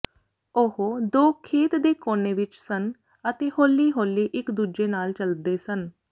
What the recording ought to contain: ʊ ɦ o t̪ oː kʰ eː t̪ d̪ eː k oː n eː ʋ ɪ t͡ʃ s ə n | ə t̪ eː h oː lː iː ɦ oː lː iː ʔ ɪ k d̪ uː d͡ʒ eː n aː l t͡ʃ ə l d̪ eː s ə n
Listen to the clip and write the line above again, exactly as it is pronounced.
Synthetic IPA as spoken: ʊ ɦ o d̪ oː kʰ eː t̪ d̪ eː k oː n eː ʋ ɪ t͡ʃ s ə n | ə t̪ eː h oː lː iː ɦ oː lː iː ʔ ɪ k d̪ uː d͡ʒ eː n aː l t͡ʃ ə l d̪ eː s ə n